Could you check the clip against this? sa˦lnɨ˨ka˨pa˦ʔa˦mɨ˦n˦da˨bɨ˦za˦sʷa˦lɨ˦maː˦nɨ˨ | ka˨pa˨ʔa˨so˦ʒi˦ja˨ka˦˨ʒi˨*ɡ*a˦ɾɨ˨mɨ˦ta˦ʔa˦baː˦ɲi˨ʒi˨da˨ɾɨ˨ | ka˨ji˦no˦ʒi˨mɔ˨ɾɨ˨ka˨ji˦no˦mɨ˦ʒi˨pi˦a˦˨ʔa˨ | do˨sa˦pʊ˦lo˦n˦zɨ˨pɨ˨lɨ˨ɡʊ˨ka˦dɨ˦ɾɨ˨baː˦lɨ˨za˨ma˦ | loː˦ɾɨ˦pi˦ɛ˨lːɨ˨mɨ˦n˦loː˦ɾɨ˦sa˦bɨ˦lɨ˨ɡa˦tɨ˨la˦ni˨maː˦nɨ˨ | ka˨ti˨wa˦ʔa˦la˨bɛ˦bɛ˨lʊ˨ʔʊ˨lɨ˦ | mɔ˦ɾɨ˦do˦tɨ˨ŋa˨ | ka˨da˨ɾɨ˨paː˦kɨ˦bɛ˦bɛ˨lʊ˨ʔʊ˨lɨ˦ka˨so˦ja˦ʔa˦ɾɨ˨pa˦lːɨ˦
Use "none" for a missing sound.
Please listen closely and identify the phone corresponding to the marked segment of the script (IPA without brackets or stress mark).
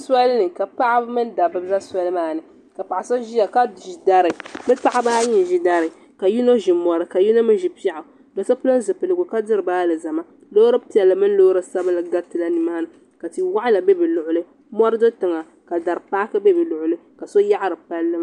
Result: d